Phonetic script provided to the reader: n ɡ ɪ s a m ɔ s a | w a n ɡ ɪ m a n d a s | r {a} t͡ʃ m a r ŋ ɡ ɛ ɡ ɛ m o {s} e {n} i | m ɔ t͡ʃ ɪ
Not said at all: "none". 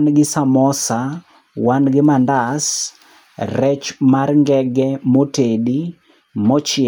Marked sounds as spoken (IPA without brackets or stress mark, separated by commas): ɛ, t, d